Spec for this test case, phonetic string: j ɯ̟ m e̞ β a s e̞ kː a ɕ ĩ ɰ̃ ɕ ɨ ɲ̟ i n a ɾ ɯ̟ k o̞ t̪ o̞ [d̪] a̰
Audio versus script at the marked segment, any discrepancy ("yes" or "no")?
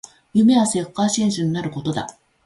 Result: no